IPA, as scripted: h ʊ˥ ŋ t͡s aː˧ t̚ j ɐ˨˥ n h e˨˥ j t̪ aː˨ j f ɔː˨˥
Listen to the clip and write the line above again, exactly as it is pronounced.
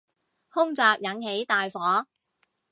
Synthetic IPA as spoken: h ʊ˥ ŋ t͡s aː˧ k̚ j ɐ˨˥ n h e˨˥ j t̪ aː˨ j f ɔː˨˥